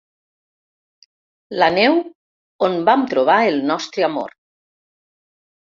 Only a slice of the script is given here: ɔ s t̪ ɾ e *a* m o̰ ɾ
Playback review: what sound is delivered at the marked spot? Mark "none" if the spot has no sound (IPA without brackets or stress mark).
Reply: a